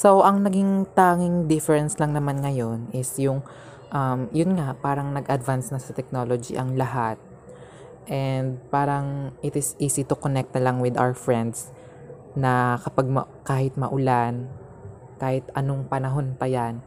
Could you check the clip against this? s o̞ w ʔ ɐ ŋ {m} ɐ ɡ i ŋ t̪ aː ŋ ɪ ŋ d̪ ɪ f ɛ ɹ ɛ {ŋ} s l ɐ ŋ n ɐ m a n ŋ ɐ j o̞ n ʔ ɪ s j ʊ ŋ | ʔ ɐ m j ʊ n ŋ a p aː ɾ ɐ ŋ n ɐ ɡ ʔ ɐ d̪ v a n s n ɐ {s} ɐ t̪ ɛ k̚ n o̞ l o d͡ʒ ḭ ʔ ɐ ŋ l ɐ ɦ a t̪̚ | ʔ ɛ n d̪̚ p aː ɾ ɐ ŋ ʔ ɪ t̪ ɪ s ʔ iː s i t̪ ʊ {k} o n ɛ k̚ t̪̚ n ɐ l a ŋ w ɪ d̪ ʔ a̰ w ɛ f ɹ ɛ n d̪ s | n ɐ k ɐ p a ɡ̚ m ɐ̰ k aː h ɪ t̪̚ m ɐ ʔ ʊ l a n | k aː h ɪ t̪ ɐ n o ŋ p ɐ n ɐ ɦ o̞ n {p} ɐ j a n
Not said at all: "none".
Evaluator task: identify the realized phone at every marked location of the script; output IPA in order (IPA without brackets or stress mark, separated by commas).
n, n, s, k, p